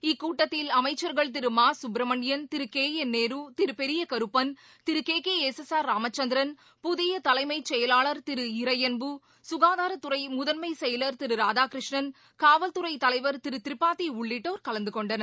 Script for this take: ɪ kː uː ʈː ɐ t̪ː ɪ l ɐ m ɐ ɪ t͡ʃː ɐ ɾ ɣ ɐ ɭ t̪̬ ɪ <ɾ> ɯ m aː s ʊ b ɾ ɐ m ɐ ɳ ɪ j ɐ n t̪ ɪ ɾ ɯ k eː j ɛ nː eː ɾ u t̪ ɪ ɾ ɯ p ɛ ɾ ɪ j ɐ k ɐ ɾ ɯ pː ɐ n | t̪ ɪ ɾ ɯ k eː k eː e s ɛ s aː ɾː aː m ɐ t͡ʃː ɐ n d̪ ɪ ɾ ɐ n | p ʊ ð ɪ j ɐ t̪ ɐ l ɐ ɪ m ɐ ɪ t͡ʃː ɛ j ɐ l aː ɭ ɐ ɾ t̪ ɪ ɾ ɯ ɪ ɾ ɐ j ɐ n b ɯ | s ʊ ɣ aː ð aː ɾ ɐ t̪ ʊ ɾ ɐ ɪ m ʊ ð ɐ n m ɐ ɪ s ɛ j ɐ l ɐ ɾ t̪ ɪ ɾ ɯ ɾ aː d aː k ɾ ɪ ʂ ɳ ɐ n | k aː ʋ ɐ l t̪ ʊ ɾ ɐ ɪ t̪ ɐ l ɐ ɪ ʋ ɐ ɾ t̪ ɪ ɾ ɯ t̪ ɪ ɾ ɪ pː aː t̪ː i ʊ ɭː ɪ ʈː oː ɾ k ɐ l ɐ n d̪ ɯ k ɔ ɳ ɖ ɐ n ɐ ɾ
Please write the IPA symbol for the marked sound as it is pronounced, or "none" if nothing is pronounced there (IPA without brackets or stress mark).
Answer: ɾ